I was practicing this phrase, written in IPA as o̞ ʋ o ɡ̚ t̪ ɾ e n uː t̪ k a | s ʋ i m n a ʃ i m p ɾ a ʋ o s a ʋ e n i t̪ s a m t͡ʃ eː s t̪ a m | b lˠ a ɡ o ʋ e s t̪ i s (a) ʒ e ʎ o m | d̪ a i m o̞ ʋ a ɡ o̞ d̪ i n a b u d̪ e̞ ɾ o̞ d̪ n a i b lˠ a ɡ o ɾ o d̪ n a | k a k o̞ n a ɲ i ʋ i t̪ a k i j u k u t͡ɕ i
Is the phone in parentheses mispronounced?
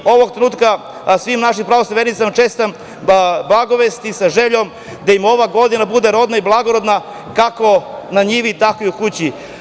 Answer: no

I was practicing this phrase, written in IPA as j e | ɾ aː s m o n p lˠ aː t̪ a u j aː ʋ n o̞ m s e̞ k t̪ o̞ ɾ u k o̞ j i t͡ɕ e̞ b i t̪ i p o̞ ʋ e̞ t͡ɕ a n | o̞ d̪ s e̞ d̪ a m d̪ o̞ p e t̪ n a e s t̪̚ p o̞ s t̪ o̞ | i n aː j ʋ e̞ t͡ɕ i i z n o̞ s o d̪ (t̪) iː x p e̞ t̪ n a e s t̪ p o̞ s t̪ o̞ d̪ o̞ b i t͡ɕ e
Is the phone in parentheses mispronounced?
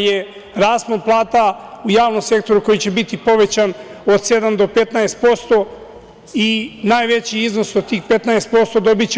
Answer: no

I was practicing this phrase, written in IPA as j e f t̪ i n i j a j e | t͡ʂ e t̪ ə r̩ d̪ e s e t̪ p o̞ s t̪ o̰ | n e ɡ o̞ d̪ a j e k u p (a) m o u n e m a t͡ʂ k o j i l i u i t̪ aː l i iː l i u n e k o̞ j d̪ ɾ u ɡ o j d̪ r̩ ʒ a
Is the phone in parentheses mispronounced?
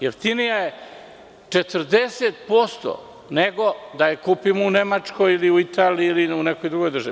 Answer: yes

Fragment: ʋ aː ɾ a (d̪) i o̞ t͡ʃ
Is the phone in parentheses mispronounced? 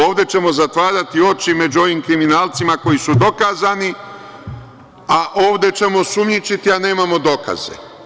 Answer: yes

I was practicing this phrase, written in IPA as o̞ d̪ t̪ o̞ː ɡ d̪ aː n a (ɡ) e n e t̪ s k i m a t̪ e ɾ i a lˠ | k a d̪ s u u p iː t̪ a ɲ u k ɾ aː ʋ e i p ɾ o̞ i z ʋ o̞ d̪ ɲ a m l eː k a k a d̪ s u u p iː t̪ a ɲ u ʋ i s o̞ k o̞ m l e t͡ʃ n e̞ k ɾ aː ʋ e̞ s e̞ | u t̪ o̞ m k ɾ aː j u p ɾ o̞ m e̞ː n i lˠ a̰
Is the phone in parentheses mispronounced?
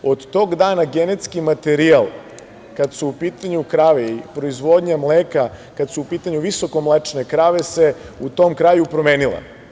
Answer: no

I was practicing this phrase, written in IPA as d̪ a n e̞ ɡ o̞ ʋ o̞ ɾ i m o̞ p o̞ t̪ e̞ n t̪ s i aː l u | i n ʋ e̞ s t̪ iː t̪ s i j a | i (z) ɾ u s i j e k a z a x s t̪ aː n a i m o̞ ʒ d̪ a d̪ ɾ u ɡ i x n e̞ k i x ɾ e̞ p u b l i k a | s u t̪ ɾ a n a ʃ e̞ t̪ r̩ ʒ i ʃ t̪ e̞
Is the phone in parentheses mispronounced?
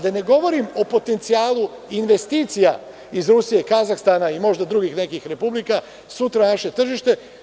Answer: no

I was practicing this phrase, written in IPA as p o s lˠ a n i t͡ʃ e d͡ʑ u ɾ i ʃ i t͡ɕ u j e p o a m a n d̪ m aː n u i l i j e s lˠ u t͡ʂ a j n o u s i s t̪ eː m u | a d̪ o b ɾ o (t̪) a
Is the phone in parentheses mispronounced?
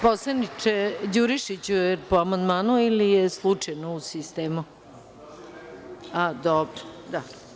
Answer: yes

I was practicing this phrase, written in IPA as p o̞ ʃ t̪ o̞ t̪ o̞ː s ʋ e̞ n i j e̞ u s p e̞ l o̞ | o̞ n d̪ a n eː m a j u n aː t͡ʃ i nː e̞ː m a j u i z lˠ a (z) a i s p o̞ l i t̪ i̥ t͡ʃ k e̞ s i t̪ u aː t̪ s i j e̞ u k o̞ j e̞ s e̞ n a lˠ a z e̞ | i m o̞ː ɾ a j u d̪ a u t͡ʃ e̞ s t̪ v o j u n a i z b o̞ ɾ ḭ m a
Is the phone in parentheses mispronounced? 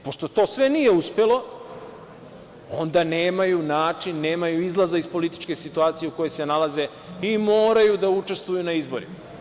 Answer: no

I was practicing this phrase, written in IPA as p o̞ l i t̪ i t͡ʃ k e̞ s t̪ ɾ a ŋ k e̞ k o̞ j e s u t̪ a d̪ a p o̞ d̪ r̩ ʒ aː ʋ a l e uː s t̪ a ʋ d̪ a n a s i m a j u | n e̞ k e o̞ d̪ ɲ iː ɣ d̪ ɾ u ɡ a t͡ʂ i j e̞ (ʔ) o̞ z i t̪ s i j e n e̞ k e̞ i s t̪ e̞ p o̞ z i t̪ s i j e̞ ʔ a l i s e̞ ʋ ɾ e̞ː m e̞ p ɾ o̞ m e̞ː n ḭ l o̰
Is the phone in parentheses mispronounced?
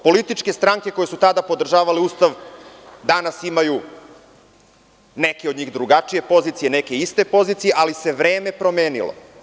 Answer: yes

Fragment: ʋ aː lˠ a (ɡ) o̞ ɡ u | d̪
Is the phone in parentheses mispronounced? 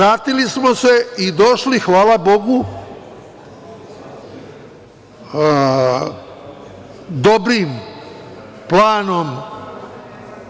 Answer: yes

